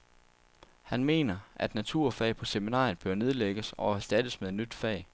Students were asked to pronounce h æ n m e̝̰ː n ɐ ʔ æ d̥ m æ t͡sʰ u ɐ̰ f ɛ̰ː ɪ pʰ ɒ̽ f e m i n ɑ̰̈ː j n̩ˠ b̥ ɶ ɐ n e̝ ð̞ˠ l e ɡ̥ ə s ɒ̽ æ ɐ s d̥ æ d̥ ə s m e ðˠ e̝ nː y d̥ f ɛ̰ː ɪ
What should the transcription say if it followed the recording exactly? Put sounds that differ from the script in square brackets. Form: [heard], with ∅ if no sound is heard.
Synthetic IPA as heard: h æ n m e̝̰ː n ɐ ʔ æ d̥ [n] æ t͡sʰ u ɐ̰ f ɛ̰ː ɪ pʰ ɒ̽ [s] e m i n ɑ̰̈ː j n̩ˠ b̥ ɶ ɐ n e̝ ð̞ˠ l e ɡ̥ ə s ɒ̽ æ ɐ s d̥ æ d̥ ə s m e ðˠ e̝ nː y d̥ f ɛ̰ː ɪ